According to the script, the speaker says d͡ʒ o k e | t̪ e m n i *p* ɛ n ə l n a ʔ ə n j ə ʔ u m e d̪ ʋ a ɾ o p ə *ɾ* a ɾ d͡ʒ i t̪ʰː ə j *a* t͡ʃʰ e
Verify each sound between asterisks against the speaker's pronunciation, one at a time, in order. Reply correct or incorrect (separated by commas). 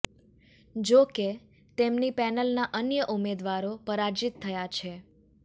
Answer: correct, correct, correct